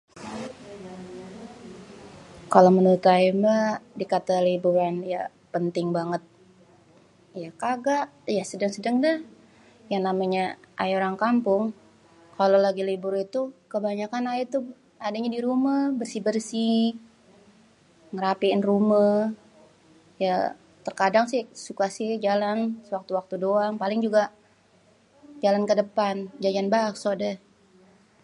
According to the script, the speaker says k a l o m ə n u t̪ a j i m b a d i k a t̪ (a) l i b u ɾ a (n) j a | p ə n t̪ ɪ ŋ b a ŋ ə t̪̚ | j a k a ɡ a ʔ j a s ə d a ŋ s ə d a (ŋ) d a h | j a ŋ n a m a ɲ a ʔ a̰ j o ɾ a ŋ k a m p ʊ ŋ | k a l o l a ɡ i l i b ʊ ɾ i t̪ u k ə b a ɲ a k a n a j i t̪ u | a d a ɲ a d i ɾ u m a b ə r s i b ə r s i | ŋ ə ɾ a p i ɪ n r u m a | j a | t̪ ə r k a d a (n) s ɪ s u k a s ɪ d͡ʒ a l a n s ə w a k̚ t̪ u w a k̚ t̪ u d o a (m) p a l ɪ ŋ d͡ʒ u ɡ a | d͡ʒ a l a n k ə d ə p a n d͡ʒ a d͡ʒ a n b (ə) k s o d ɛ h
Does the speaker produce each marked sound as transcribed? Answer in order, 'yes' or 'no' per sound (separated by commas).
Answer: yes, yes, yes, no, no, no